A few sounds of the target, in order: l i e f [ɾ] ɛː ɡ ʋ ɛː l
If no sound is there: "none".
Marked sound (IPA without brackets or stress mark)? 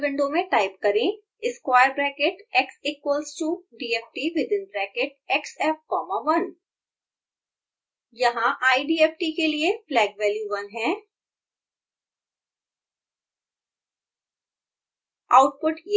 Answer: l